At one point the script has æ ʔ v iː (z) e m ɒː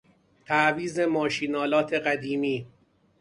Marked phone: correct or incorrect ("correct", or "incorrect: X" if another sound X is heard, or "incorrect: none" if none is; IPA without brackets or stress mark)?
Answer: correct